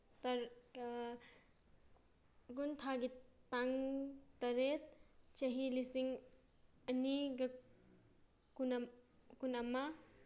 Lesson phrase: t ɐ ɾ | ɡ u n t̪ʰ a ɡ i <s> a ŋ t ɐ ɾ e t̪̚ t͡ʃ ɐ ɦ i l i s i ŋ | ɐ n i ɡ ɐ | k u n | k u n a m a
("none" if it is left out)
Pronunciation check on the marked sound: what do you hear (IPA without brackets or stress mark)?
t